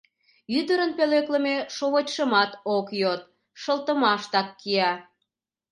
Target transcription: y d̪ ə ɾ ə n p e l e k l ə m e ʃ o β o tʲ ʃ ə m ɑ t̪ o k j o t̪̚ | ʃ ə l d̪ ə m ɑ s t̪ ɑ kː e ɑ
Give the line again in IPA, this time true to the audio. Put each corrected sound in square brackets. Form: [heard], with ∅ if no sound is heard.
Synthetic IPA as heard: y d̪ ə ɾ ə n p e l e k l ə m e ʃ o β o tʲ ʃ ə m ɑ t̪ o k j o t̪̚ | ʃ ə l [t̪] ə m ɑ [ʃ] t̪ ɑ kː [i] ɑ

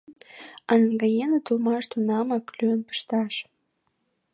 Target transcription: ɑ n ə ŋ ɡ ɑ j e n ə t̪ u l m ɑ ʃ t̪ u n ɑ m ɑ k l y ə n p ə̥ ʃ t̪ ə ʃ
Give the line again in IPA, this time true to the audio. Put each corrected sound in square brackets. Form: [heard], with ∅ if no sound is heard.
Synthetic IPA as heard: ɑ n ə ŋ ɡ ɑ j e n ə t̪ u l m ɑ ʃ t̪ u n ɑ m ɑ k l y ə n p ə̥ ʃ t̪ [ɑ] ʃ

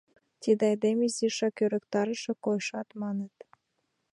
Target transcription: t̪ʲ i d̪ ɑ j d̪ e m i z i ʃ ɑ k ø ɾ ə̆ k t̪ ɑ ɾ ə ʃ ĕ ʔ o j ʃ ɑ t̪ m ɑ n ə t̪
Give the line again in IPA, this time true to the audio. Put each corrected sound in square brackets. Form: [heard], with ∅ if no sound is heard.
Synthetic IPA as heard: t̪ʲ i d̪ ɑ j d̪ e m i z i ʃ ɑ k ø ɾ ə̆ k t̪ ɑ ɾ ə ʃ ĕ [k] o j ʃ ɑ t̪ m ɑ n ə t̪

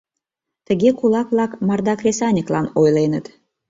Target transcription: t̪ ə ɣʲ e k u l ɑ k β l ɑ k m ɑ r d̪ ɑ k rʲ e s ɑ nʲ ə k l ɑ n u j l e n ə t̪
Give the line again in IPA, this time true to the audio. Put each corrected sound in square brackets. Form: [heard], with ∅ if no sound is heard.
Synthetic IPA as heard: t̪ ə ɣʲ e k u l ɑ k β l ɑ k m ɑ r d̪ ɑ k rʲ e s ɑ nʲ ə k l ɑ n [o] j l e n ə t̪

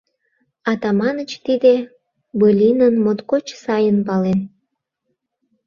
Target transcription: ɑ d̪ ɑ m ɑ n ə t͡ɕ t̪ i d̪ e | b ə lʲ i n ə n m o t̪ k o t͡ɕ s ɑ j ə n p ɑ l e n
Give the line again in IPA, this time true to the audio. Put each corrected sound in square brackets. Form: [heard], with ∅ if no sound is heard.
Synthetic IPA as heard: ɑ [t̪] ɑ m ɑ n ə t͡ɕ t̪ i d̪ e | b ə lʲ i n ə n m o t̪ k o t͡ɕ s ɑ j ə n p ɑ l e n

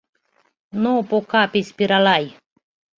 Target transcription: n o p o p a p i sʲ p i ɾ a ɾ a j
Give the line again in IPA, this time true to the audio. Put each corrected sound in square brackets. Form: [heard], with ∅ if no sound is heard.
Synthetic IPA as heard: n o p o [k] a p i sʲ p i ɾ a [l] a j

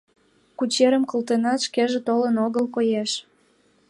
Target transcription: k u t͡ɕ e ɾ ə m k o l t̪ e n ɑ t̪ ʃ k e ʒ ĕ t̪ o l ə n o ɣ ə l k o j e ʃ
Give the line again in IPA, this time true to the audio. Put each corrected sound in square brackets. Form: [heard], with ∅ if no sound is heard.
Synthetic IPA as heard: k u t͡ɕ e ɾ ə m k o l t̪ e n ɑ t̪ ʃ k e ʒ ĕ t̪ o l ə n o ɣ ə l k o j e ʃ

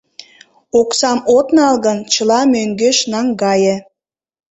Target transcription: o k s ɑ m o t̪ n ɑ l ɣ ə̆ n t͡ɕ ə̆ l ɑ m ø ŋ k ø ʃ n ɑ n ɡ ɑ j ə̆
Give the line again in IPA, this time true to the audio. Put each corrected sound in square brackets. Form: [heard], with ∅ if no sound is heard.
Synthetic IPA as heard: o k s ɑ m o t̪ n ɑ l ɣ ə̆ n t͡ɕ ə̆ l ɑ m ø ŋ [ɡ] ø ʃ n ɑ [ŋ] ɡ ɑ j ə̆

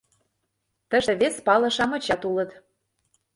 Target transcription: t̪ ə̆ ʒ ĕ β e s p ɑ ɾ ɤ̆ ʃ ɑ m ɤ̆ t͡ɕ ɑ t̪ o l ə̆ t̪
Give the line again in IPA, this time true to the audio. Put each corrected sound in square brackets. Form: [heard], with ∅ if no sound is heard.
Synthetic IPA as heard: t̪ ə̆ ʒ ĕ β e s p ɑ [l] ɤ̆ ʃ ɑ m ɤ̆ t͡ɕ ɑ t̪ [u] l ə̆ t̪

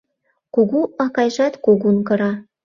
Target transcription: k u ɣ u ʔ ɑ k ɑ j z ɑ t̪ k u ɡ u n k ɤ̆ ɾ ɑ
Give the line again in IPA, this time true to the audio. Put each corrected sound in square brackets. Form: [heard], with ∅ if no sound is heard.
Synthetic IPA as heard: k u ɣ u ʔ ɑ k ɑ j [ʒ] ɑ t̪ k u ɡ u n k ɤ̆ ɾ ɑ

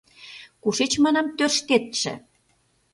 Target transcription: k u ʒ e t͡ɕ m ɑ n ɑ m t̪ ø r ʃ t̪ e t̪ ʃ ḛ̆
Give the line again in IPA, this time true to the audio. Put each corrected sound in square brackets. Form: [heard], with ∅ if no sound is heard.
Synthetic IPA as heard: k u [ʃ] e t͡ɕ m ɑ n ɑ m t̪ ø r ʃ t̪ e t̪ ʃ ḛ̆

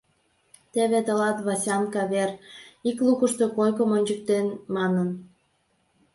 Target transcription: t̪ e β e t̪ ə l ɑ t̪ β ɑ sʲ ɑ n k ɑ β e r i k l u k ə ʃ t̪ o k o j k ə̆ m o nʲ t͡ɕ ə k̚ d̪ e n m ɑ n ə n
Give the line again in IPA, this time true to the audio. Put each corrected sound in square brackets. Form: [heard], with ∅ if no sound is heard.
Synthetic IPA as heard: t̪ e β e t̪ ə l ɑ t̪ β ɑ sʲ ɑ n k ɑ β e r i k l u k ə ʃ t̪ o k o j k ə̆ m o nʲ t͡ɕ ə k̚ [t̪] e n m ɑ n ə n

